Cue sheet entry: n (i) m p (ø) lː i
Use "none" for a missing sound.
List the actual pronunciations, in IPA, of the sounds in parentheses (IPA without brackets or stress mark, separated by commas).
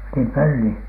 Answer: i, ø